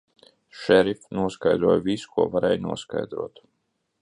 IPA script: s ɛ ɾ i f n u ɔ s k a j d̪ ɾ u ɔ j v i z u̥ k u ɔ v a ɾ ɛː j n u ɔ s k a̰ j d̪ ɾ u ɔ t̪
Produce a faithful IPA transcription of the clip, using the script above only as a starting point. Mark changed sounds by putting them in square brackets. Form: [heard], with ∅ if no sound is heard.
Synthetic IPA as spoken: [ʃ] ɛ ɾ i f n u ɔ s k a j d̪ ɾ u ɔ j v i [s] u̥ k u ɔ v a ɾ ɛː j n u ɔ s k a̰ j d̪ ɾ u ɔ t̪